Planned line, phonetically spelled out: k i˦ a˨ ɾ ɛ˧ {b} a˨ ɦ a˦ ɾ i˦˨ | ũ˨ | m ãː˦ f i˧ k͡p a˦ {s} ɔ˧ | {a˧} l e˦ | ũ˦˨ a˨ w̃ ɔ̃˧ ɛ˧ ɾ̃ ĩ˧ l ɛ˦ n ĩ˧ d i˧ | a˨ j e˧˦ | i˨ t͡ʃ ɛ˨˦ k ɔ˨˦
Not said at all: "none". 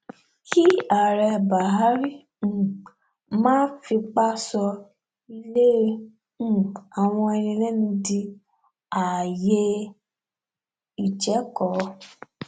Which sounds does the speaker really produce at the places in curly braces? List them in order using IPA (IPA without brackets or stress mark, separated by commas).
b, s, i˧